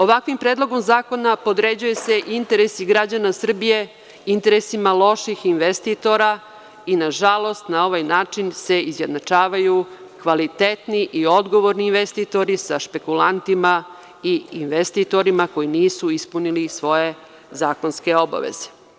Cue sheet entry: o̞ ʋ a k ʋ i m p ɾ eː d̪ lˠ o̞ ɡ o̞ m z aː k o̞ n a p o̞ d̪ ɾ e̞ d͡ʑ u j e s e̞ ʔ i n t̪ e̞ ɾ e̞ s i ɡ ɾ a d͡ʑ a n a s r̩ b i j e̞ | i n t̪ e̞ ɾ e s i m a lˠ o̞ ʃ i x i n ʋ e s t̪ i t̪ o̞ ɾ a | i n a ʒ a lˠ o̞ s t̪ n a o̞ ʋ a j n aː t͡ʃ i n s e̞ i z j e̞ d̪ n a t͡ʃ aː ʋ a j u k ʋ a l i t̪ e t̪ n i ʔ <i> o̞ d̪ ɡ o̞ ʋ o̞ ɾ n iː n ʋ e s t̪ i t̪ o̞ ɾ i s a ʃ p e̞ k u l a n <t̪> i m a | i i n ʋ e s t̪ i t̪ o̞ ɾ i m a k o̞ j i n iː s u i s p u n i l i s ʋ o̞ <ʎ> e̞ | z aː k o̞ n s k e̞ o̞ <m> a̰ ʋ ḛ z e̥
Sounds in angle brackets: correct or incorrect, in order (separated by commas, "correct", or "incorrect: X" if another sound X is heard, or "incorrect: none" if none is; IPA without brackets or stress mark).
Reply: correct, correct, incorrect: j, incorrect: b